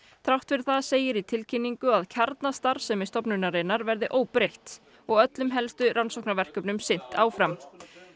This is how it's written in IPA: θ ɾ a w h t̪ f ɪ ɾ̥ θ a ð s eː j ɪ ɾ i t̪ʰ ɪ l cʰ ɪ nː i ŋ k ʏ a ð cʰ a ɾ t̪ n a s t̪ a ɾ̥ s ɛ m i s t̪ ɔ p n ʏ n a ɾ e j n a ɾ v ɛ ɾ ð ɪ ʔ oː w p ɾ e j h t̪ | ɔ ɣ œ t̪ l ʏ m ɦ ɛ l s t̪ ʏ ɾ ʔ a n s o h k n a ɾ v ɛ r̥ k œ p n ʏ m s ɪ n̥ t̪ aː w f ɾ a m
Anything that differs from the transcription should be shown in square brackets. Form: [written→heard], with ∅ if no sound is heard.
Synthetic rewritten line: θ ɾ a w h t̪ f ɪ ɾ̥ θ a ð s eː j ɪ ɾ i t̪ʰ ɪ l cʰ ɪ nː i ŋ k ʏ a ð cʰ a ɾ t̪ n a s t̪ a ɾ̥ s ɛ m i s t̪ ɔ p n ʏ n a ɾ e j n a ɾ v ɛ ɾ ð ɪ ʔ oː w p ɾ e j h t̪ | ɔ ɣ œ t̪ l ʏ m ɦ ɛ l s t̪ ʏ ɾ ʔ a n s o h k n a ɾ v ɛ r̥ k œ p n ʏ m s ɪ n̥ t̪ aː w f ɾ a m